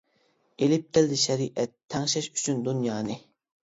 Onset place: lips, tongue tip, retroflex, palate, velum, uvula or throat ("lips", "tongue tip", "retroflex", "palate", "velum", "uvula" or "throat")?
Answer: tongue tip